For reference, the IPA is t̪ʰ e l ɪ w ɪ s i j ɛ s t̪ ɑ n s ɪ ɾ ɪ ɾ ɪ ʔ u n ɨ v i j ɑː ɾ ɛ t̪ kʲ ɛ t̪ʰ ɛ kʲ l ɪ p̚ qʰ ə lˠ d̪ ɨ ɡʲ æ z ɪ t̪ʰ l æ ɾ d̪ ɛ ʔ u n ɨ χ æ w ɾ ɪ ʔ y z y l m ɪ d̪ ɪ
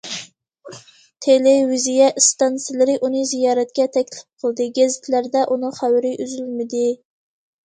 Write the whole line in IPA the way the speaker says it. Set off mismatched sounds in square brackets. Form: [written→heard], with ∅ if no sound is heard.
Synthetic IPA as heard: t̪ʰ e l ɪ w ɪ [s→z] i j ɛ s t̪ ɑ n s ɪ [ɾ→l] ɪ ɾ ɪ ʔ u n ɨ [v→z] i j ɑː ɾ ɛ t̪ kʲ ɛ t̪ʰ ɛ kʲ l ɪ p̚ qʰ ə lˠ d̪ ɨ ɡʲ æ z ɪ t̪ʰ l æ ɾ d̪ ɛ ʔ u n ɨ χ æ w ɾ ɪ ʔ y z y l m ɪ d̪ ɪ